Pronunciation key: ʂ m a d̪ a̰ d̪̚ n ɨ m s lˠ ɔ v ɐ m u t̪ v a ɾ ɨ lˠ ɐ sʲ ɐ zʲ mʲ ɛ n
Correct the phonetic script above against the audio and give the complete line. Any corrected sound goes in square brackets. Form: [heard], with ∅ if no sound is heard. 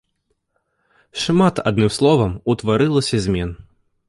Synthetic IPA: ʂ m a [t̪] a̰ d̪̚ n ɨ m s lˠ ɔ v ɐ m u t̪ v a ɾ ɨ lˠ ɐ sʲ ɐ zʲ mʲ ɛ n